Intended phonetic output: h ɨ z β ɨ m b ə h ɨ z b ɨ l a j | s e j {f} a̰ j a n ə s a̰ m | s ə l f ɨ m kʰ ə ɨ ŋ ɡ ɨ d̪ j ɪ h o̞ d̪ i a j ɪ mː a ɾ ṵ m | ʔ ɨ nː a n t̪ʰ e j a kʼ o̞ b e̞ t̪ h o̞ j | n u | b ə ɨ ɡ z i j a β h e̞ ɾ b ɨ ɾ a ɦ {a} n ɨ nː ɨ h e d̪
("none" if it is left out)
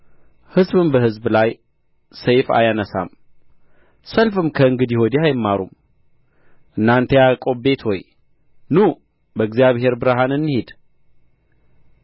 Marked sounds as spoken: f, a

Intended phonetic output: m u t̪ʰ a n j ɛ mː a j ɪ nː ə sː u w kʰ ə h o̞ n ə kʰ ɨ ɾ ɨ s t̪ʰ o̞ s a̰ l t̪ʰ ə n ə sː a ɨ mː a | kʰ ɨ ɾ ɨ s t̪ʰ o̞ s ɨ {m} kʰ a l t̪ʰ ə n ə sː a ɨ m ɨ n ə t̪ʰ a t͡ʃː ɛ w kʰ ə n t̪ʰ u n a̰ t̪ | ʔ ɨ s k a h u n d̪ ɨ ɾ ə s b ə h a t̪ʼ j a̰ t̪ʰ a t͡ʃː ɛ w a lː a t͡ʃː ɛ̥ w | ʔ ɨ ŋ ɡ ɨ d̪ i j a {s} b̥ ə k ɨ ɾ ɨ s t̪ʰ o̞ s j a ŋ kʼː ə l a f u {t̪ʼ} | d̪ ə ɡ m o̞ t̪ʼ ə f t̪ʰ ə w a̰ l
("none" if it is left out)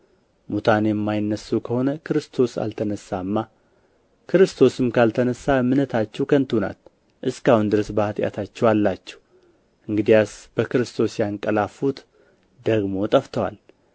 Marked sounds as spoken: m, s, t̪

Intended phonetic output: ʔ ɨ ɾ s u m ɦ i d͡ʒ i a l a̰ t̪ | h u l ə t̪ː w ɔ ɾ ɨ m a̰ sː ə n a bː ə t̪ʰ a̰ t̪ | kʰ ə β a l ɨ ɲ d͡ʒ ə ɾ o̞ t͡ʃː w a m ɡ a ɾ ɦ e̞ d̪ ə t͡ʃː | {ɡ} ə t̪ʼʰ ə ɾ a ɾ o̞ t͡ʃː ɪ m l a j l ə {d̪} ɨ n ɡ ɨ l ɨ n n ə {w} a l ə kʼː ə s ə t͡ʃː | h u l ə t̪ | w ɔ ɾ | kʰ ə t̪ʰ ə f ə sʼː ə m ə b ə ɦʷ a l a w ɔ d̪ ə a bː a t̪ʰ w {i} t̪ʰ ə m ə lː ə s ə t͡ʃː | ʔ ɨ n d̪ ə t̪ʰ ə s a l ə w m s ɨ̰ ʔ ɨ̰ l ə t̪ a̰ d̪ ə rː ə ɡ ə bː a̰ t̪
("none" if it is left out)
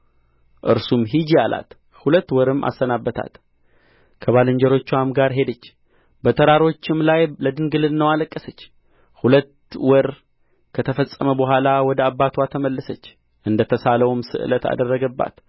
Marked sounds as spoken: b, d̪, w, a

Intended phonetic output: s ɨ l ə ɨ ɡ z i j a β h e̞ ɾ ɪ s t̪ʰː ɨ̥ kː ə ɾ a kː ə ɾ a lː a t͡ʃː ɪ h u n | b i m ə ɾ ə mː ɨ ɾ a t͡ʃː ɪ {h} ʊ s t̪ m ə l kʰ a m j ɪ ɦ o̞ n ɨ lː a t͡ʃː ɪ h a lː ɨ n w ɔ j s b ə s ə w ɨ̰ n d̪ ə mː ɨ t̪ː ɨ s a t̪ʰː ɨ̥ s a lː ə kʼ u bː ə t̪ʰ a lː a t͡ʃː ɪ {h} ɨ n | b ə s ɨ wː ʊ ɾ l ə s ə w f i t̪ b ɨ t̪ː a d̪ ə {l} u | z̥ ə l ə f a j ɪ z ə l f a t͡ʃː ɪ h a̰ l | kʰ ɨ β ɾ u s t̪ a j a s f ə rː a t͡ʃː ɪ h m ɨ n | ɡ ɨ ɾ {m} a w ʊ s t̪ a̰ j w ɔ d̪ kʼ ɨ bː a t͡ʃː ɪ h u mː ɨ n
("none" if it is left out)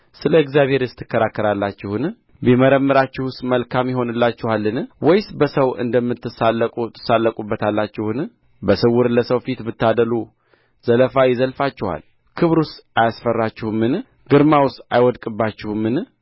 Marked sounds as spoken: h, h, l, m

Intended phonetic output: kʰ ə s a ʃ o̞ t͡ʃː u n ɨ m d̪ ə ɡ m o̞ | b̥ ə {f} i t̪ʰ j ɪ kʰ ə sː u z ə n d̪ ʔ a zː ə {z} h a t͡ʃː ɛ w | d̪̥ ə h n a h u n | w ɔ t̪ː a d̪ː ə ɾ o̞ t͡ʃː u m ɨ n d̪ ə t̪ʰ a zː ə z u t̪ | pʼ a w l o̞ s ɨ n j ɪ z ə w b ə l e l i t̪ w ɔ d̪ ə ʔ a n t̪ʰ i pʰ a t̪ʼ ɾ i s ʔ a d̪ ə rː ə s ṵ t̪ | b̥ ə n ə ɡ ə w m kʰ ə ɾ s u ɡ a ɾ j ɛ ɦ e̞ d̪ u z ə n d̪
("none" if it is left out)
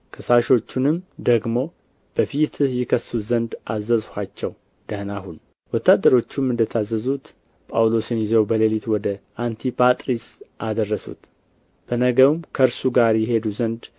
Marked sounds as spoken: f, z

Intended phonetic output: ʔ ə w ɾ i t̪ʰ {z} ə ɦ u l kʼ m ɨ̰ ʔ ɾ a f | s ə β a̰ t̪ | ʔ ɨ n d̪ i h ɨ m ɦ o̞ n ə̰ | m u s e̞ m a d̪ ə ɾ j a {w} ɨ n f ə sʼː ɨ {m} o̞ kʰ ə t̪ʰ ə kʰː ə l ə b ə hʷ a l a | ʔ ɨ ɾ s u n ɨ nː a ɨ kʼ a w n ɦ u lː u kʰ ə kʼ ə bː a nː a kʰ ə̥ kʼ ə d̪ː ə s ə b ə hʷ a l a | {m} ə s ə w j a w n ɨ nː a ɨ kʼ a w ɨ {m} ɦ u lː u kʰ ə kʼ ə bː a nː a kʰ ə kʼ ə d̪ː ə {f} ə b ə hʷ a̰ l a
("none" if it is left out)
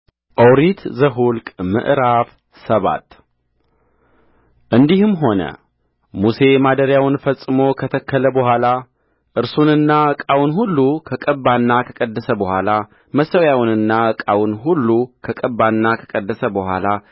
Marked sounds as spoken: z, w, m, m, n, s

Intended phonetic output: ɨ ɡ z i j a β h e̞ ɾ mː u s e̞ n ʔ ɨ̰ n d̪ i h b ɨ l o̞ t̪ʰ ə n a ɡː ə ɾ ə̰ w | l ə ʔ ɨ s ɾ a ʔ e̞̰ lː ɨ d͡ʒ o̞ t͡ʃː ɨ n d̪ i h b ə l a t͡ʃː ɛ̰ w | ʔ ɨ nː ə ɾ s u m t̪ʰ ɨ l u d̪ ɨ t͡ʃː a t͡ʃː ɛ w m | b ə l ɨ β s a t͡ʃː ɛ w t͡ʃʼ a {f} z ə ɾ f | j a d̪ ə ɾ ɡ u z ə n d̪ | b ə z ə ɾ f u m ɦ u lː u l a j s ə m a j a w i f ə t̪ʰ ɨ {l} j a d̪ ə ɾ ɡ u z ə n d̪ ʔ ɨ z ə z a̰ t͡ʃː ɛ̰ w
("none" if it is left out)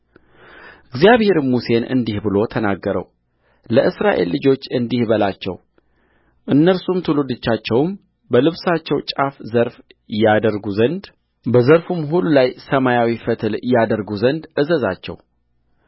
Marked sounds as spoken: f, l

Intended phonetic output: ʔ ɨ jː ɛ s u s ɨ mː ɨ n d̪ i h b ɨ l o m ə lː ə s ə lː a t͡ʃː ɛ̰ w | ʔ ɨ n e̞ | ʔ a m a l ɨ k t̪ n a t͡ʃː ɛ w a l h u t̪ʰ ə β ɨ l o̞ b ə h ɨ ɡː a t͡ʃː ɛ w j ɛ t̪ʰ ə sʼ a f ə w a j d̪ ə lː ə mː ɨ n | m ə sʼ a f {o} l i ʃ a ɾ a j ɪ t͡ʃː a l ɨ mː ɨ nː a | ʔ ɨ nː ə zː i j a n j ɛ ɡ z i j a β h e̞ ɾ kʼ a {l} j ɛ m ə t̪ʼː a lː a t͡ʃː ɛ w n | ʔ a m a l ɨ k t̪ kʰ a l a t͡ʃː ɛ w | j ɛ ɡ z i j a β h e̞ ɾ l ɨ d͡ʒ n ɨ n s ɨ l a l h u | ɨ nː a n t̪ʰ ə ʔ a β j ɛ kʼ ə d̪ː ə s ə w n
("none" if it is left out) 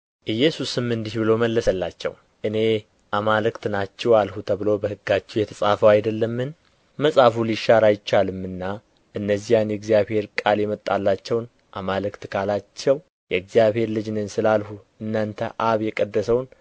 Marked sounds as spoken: u, l

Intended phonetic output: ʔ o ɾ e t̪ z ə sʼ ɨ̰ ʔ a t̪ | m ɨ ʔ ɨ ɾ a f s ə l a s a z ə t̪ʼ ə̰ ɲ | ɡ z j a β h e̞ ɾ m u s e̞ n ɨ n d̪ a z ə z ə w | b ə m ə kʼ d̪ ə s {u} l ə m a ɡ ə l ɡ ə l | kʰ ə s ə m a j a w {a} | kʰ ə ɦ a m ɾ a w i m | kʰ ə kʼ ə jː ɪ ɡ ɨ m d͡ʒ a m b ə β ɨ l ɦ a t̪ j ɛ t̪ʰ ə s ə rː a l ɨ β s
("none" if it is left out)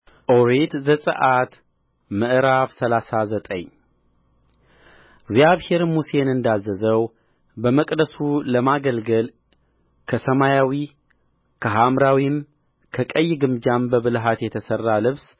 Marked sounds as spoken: u, i

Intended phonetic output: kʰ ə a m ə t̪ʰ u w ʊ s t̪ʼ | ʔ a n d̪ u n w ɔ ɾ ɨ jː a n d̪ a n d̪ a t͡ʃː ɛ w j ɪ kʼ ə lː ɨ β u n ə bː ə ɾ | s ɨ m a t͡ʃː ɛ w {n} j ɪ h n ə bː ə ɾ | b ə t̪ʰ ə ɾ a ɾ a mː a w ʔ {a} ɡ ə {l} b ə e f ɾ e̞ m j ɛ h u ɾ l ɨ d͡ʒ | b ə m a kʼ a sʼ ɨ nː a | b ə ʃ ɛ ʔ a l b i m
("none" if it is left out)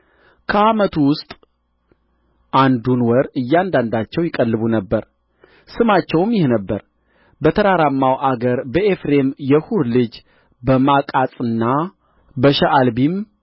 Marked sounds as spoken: m, a, ɾ

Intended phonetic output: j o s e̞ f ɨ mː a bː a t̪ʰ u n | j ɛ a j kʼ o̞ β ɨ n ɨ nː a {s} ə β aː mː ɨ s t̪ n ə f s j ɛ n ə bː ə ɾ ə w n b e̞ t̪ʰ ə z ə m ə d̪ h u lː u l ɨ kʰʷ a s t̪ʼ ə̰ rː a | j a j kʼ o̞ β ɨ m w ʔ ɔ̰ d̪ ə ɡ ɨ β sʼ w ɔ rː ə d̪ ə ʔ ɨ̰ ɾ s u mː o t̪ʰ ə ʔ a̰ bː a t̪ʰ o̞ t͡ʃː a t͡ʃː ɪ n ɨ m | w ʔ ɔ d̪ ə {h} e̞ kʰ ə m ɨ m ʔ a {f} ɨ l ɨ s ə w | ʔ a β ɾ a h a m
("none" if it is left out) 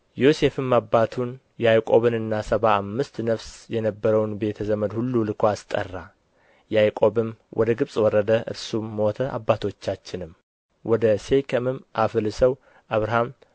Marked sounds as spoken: s, s, f

